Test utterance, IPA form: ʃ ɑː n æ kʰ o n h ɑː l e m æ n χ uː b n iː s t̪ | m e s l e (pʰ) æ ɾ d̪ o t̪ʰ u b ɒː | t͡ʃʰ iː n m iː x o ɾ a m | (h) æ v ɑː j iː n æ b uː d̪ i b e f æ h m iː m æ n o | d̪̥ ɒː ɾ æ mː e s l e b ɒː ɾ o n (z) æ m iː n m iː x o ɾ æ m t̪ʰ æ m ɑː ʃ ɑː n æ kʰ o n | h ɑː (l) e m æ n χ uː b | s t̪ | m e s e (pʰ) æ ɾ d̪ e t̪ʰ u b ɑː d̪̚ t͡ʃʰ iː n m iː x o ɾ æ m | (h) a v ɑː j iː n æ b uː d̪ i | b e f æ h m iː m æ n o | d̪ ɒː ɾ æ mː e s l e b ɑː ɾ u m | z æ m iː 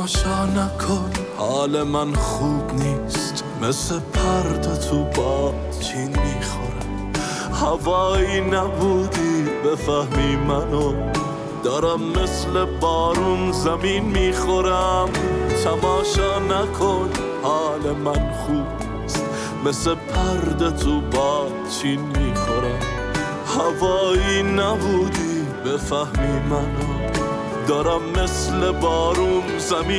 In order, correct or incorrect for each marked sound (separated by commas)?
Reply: correct, correct, correct, correct, correct, correct